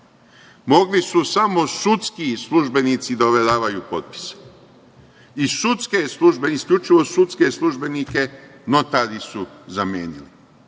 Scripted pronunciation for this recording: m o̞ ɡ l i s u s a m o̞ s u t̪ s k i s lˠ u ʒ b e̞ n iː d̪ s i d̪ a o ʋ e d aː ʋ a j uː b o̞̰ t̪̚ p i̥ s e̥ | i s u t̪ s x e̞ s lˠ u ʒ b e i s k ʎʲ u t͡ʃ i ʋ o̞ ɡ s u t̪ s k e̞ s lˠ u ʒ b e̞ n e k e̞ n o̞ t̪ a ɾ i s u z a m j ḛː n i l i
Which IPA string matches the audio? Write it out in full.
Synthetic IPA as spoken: m o̞ ɡ l i s u s a m o̞ s u t̪ s k i s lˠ u ʒ b e̞ n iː t̪ s i d̪ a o ʋ e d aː ʋ a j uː p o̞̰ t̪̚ p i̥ s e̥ | i s u t̪ s k e̞ s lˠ u ʒ b e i s k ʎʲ u t͡ʃ i ʋ o̞ s u t̪ s k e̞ s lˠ u ʒ b e̞ n i k e̞ n o̞ t̪ a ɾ i s u z a m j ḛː n i l i